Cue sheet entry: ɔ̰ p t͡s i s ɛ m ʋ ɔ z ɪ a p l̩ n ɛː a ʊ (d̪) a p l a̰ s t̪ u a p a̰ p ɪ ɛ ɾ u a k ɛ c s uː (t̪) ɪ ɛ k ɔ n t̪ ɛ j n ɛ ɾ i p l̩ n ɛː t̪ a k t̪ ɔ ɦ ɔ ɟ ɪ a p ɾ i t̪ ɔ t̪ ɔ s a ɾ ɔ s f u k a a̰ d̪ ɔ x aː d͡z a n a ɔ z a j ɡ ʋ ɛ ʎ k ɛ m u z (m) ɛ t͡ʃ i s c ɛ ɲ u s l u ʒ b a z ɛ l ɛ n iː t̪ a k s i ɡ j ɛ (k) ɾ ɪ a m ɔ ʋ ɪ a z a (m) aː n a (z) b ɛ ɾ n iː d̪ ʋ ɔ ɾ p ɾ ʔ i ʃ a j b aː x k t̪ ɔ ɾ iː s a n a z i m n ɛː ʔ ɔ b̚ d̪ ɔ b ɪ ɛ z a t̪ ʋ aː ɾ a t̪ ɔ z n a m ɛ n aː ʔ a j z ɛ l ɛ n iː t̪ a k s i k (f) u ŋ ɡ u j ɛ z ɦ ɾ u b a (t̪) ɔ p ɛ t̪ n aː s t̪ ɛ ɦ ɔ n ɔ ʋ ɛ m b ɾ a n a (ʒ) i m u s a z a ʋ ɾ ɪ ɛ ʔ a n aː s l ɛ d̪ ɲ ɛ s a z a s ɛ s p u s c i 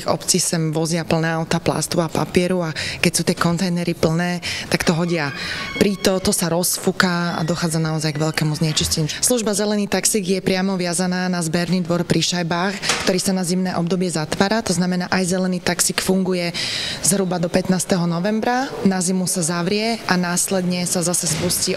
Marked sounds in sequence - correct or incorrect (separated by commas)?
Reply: incorrect, correct, incorrect, incorrect, incorrect, correct, correct, incorrect, incorrect